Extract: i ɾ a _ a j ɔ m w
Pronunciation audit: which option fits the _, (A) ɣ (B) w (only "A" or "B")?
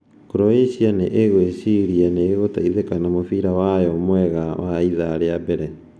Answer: B